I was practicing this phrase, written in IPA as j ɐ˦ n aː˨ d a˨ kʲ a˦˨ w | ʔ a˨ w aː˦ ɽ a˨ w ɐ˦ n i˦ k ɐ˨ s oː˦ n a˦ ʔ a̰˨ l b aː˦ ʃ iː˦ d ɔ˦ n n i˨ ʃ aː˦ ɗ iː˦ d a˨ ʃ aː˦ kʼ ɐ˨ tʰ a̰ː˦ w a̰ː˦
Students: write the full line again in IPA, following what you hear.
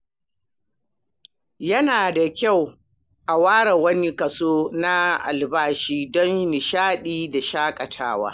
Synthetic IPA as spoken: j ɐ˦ n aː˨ d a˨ kʲ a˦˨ w | ʔ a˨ w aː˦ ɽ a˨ w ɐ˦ n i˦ k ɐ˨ s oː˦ n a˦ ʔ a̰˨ l b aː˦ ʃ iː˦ d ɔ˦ n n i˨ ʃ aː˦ ɗ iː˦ d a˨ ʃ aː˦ kʼ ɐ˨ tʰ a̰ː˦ w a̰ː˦